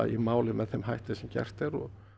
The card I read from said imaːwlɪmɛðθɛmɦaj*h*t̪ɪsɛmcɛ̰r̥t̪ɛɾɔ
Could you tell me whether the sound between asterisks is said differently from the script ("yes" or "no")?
no